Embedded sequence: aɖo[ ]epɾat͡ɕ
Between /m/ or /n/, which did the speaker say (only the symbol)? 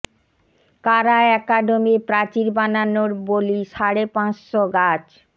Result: m